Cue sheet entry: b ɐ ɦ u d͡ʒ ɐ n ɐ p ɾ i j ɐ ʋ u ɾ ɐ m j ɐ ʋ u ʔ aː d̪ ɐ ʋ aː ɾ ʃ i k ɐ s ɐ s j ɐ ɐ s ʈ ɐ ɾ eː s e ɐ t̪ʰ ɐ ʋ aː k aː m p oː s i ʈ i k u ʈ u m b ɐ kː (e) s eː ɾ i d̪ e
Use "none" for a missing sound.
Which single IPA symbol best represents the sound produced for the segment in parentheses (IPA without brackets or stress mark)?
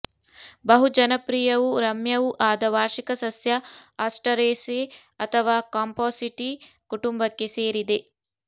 e